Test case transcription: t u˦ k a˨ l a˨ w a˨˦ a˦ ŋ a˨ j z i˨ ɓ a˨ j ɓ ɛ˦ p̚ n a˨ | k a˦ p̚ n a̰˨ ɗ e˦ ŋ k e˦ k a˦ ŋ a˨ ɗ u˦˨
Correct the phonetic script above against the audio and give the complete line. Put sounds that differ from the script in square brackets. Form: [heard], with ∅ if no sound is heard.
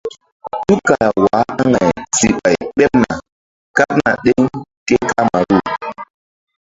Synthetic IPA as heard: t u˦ k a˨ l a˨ w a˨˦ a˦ ŋ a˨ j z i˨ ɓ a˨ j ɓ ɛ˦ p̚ n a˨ | k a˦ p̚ n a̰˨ ɗ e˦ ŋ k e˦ k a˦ [m] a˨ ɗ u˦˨